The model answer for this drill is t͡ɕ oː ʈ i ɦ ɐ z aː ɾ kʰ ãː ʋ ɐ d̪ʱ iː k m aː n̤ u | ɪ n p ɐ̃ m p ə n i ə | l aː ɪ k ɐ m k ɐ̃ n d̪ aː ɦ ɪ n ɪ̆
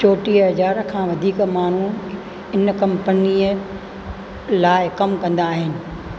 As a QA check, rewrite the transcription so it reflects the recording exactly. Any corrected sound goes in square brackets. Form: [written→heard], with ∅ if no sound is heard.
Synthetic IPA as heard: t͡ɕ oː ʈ i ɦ ɐ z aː ɾ kʰ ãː ʋ ɐ d̪ʱ iː k m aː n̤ u | ɪ n [p→k] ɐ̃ m p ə n i ə | l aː ɪ k ɐ m k ɐ̃ n d̪ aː ɦ ɪ n ɪ̆